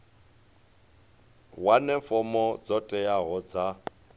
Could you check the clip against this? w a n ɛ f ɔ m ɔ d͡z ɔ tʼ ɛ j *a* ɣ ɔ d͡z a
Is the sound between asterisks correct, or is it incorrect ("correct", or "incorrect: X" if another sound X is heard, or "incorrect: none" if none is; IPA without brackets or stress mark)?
correct